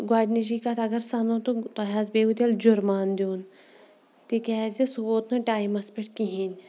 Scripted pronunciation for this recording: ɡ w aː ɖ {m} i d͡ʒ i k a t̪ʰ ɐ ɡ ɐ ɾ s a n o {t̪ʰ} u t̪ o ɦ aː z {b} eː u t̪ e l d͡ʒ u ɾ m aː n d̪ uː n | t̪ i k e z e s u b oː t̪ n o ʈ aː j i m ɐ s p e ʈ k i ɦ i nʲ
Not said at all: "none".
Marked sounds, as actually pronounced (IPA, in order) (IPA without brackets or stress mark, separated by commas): n, t̪, b